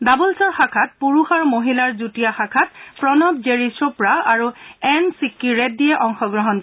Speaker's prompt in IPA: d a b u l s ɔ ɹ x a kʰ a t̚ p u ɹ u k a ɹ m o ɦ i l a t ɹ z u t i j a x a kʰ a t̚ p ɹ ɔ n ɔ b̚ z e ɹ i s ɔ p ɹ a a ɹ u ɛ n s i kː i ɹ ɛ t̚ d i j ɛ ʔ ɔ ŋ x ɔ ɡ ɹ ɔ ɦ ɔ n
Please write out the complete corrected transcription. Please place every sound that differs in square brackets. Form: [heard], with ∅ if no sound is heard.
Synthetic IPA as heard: d a b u l s ɔ ɹ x a kʰ a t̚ p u ɹ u [x] a ɹ m o ɦ i l a [∅] ɹ z u t i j a x a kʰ a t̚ p ɹ ɔ n ɔ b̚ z e ɹ i s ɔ p ɹ a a ɹ u ɛ n s i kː i ɹ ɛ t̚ d i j ɛ ʔ ɔ ŋ x ɔ ɡ ɹ ɔ ɦ ɔ n